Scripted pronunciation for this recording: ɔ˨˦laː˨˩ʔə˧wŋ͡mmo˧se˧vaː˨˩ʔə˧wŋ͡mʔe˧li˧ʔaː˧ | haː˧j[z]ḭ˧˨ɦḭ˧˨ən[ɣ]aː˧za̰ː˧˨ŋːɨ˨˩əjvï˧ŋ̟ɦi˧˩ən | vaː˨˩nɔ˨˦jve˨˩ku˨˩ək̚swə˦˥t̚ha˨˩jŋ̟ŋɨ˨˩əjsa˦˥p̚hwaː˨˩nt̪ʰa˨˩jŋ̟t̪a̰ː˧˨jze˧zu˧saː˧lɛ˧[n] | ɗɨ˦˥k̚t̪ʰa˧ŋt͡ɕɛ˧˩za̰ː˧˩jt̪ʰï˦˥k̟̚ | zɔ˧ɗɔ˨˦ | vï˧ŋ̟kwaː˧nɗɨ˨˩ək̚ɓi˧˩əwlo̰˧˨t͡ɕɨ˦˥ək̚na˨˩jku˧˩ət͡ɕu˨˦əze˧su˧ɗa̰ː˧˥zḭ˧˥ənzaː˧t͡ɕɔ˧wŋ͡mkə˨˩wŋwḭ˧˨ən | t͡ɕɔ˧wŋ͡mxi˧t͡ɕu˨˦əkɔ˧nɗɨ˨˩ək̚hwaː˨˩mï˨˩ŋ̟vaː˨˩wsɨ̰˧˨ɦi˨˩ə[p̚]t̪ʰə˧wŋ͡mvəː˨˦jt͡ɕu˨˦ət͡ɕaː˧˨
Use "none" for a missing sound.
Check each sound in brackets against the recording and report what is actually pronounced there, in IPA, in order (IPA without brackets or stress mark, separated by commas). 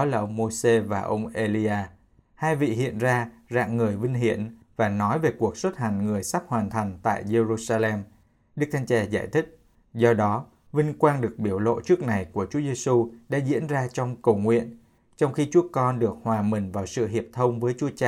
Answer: v, z, m, p̚